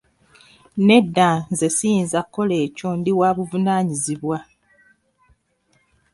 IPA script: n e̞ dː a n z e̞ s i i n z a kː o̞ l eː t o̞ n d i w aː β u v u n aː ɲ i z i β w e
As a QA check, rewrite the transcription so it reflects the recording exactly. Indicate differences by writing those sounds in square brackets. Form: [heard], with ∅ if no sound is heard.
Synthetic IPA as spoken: n e̞ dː a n z e̞ s i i n z a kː o̞ l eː [c] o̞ n d i w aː β u v u n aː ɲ i z i β w [a]